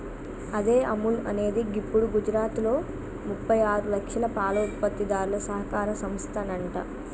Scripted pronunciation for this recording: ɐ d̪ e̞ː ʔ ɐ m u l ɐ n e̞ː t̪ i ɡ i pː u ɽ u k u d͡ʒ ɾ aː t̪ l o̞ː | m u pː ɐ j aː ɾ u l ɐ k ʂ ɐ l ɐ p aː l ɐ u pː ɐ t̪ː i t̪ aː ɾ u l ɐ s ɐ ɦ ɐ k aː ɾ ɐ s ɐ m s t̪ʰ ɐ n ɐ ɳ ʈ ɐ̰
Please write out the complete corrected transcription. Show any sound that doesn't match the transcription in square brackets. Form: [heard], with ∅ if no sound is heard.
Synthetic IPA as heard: ɐ d̪ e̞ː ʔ ɐ m u l ɐ n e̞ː [d̪] i ɡ i pː u ɽ u [ɡ] u d͡ʒ ɾ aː t̪ l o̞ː | m u pː ɐ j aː ɾ u l ɐ k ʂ ɐ l ɐ p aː l ɐ u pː ɐ t̪ː i [d̪] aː ɾ u l ɐ s ɐ ɦ ɐ k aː ɾ ɐ s ɐ m s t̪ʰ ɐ n ɐ ɳ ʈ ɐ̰